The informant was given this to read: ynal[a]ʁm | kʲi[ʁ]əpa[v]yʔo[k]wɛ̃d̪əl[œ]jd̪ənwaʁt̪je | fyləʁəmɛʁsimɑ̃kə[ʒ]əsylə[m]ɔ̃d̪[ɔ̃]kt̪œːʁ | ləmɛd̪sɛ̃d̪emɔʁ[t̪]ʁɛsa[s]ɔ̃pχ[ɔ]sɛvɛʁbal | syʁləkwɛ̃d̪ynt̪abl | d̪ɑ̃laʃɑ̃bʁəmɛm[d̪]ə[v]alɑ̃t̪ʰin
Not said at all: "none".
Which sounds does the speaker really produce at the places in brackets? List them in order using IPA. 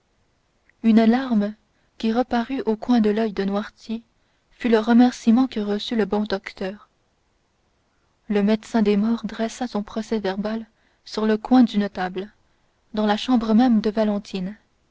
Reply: a, ʁ, ʁ, k, œ, ʁ, b, ɔ, d̪, s, ɔ, d̪, v

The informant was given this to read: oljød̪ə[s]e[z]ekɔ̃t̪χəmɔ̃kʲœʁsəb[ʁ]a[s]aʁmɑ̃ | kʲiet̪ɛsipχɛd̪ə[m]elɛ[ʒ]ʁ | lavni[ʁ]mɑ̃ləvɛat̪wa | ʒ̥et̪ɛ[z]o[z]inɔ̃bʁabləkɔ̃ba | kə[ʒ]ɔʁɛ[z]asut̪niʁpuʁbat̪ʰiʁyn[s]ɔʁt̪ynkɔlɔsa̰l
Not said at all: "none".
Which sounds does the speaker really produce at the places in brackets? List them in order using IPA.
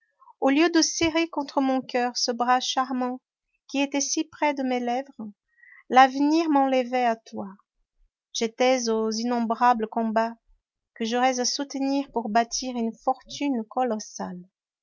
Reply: s, ʁ, ʁ, ʃ, m, v, ʁ, z, z, ʒ, z, f

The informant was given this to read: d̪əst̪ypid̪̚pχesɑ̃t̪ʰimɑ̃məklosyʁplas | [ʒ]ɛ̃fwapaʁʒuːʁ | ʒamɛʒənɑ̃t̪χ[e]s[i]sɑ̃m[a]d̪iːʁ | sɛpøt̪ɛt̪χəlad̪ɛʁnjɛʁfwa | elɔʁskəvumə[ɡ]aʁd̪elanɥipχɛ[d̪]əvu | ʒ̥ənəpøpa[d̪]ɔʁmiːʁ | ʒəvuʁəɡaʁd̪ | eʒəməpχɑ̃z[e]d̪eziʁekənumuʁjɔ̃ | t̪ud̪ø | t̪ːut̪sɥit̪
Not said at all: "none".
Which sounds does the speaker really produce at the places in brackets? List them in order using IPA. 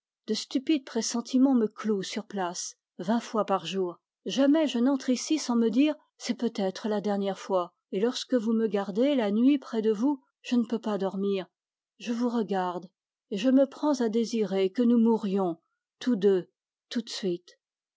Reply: v, i, i, ə, ɡ, d̪, d̪, a

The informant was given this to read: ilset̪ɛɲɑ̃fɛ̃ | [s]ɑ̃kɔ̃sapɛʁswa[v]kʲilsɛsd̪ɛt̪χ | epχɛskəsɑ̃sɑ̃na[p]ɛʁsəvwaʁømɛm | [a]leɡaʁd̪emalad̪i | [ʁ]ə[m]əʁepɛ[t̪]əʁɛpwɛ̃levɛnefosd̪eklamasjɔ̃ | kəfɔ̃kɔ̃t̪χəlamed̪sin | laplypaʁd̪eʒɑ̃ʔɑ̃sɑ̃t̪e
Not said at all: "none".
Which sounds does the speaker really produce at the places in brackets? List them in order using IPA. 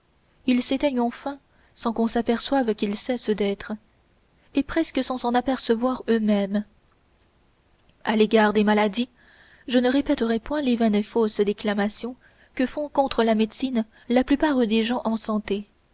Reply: s, v, p, a, ʒ, n, t̪

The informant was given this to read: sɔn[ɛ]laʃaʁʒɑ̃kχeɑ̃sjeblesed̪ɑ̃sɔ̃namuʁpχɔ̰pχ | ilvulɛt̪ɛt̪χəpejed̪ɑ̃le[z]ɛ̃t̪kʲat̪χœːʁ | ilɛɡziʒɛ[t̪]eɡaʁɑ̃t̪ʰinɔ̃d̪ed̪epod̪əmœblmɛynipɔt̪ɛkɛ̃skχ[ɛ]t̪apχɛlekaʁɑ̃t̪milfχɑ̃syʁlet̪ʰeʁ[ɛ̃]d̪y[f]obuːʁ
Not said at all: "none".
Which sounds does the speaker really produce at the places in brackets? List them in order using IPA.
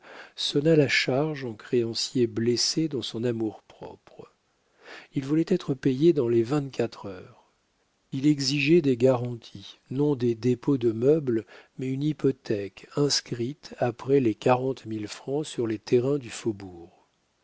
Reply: a, v, d̪, i, ɛ̃, f

